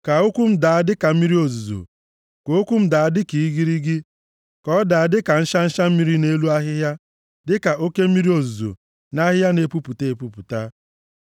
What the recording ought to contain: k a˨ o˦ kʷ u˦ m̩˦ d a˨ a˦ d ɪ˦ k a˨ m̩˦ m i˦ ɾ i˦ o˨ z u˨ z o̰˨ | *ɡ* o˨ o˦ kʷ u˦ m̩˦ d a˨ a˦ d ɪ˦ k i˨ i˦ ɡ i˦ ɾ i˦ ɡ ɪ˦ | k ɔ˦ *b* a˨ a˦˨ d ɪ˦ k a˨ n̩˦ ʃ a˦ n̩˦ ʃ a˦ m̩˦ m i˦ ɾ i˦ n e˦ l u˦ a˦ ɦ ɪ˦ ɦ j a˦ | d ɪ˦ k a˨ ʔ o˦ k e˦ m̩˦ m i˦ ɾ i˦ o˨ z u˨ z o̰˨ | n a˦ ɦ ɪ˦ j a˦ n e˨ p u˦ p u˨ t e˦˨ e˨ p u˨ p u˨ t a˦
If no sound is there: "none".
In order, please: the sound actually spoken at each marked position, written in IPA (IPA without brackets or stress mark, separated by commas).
k, d